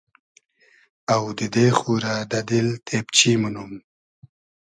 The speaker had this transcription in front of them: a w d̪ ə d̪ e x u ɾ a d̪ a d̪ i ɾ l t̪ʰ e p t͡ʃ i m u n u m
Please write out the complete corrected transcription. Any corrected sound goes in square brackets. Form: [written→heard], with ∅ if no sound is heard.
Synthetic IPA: a w d̪ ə d̪ e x u ɾ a d̪ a d̪ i [ɾ→∅] l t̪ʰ e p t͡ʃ i m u n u m